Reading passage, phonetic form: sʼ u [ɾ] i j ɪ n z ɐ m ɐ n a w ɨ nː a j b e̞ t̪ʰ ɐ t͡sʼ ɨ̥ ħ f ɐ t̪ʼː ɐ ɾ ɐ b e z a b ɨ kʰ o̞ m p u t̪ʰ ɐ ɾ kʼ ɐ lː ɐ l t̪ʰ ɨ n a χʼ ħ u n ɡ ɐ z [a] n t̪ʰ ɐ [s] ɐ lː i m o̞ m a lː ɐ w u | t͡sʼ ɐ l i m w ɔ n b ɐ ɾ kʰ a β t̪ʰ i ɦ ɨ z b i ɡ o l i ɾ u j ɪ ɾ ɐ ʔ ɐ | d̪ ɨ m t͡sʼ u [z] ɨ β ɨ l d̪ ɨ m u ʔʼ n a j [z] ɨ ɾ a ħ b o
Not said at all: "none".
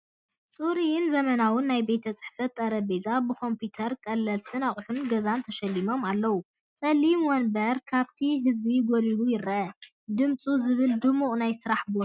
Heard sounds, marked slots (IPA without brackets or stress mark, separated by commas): ɾ, a, ʃ, z, s